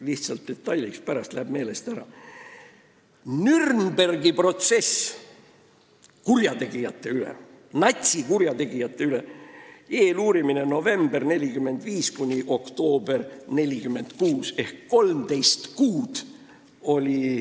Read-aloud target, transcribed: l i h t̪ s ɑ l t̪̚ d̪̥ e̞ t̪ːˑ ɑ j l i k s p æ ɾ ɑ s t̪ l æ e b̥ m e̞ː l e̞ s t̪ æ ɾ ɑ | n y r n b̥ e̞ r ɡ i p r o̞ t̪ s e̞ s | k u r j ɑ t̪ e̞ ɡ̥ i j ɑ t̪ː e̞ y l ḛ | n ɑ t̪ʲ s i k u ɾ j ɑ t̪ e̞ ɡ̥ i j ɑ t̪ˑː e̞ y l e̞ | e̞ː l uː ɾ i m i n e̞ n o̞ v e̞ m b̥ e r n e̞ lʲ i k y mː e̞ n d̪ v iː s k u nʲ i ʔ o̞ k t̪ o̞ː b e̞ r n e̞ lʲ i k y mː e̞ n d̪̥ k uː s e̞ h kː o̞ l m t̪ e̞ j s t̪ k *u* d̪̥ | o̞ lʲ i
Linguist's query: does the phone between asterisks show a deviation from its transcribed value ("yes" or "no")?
yes